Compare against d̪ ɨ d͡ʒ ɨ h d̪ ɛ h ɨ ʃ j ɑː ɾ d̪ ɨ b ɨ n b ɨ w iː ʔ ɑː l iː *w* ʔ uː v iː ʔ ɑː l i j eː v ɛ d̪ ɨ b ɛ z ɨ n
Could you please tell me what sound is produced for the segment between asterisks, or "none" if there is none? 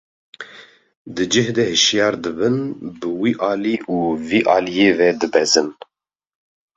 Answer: none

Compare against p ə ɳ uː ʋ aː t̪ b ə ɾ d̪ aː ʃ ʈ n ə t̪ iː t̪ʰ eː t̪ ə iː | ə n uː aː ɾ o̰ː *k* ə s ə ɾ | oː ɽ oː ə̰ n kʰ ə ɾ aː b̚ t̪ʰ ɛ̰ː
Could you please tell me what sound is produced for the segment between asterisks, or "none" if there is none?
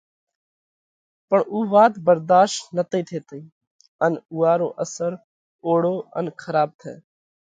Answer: ʔ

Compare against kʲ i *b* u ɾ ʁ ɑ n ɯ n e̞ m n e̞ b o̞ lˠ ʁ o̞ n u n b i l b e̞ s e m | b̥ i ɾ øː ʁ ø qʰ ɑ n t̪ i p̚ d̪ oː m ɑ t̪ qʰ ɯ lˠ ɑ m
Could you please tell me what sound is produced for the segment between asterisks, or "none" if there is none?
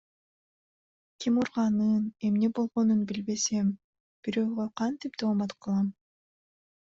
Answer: m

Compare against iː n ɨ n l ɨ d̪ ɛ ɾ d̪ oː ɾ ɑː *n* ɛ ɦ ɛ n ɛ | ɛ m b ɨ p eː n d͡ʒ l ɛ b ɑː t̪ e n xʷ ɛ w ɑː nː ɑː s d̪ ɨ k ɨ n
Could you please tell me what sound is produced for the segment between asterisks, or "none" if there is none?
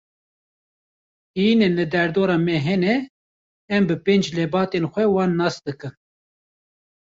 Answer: m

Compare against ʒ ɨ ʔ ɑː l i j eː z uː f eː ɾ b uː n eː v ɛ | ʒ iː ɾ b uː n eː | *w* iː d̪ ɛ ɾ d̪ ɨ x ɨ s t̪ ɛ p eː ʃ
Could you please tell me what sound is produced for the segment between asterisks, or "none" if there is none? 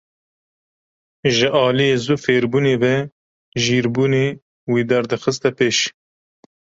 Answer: w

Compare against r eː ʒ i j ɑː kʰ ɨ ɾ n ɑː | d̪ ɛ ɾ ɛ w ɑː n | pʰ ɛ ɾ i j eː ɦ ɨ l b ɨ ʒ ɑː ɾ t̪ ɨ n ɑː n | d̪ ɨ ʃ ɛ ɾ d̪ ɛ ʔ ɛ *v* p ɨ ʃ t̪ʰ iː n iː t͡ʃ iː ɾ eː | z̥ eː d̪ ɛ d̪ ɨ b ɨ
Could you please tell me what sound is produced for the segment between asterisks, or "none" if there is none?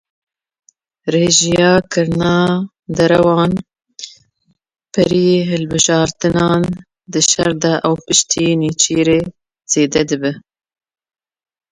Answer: w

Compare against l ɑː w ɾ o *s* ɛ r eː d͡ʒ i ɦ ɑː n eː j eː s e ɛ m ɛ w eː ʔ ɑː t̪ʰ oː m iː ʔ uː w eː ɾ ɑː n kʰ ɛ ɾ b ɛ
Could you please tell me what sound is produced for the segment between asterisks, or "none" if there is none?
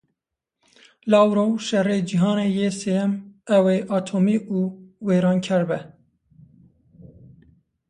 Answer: ʃ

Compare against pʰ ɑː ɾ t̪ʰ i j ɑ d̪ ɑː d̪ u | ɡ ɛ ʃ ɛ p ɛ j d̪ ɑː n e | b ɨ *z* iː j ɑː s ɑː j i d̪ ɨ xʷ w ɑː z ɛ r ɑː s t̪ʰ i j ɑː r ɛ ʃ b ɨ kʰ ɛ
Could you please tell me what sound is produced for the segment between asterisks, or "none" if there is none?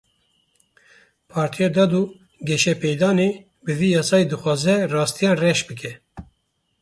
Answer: v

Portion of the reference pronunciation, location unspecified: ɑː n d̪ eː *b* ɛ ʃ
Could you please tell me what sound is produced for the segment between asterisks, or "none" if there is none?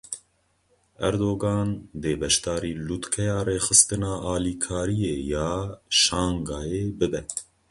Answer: b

